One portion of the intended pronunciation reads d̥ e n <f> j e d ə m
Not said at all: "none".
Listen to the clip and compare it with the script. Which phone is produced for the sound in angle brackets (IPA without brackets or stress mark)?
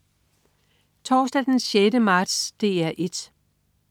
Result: ɕ